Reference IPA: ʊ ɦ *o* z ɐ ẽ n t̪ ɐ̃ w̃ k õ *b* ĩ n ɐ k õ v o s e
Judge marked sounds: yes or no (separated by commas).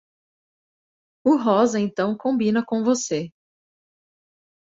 no, yes